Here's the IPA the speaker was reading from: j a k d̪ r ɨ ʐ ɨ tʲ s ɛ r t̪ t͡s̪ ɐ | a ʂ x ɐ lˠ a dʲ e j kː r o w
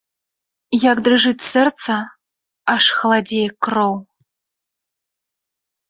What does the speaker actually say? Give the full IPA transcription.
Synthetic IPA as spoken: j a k d̪ r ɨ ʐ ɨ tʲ s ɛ r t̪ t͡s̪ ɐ | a ʂ x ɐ lˠ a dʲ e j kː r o w